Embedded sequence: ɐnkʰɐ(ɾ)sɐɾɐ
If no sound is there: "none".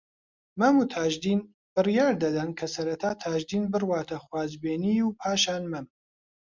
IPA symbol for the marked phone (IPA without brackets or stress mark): none